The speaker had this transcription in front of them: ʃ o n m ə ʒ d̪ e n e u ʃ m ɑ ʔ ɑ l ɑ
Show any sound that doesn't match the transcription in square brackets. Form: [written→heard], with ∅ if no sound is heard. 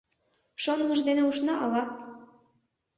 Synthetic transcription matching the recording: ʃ o n m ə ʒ d̪ e n e u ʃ [m→n] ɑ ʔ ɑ l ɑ